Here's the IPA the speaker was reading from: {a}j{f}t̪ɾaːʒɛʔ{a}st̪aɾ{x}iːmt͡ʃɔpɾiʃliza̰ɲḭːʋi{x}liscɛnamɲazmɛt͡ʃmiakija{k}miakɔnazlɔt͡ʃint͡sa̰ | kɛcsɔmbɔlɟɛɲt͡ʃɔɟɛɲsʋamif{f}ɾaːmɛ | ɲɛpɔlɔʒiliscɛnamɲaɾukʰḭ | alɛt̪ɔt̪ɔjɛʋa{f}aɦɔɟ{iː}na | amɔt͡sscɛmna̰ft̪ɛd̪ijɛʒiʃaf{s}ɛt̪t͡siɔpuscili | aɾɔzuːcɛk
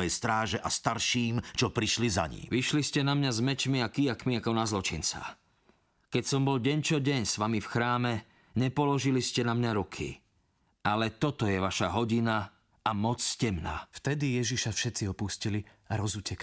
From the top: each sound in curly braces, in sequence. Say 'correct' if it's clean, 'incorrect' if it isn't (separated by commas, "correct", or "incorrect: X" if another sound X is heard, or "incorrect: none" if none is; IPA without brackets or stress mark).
incorrect: ɛ, incorrect: s, correct, incorrect: ʃ, incorrect: ʃ, correct, incorrect: x, incorrect: ʃ, incorrect: i, incorrect: ʃ